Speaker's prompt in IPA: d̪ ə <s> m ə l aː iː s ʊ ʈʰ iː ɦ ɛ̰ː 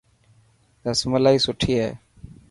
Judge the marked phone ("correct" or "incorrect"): correct